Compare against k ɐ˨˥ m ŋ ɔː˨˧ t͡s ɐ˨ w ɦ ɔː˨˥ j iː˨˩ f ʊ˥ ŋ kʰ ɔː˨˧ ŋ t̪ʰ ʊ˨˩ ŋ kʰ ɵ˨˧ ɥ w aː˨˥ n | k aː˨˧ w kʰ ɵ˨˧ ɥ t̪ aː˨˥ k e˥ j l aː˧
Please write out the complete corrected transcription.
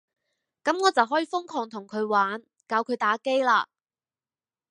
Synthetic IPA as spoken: k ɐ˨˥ m ŋ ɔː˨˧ t͡s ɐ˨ w ɦ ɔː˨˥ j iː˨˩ f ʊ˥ ŋ kʰ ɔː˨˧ ŋ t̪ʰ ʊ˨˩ ŋ kʰ ɵ˨˧ ɥ w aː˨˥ n | k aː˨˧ w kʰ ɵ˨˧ ɥ t̪ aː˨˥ k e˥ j l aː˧